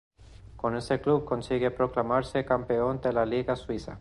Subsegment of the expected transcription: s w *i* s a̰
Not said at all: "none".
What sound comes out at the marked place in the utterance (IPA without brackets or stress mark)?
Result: i